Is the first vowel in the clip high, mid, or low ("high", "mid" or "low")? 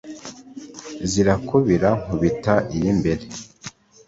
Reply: high